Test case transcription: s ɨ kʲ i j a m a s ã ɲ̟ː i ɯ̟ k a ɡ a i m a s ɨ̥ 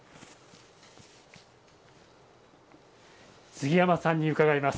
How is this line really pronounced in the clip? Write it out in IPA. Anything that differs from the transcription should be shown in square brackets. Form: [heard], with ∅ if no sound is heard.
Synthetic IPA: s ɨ [ɡʲ] i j a m a s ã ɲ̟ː i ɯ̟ k a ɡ a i m a s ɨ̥